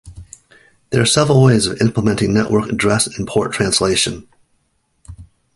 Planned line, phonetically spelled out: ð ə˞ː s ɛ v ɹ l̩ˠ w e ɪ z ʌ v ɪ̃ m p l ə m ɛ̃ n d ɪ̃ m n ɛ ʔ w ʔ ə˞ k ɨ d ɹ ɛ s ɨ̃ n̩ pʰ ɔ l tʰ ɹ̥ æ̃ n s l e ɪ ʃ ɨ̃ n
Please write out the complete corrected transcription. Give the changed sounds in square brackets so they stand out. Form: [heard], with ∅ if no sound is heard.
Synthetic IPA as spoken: ð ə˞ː s ɛ v ɹ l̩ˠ w e ɪ z ʌ v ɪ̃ m p l ə m ɛ̃ n [t] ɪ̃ [ŋ] n ɛ ʔ w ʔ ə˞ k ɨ d ɹ ɛ s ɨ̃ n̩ pʰ ɔ [ɹ] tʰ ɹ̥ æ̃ n s l e ɪ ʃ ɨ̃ n